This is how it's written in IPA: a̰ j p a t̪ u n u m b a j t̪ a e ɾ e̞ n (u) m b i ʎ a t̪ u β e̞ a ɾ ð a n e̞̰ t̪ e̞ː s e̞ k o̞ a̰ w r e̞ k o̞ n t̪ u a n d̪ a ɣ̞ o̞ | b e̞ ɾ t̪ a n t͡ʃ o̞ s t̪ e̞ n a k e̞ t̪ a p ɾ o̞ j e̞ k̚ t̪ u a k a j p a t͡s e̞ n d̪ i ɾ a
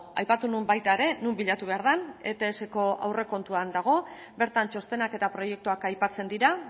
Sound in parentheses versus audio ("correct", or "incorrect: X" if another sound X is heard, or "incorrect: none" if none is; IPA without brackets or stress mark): correct